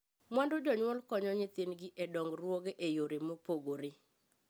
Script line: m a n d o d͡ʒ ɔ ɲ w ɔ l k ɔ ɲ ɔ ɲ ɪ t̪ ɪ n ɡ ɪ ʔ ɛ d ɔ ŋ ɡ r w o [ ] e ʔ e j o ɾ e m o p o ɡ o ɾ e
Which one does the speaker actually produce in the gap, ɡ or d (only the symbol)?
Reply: ɡ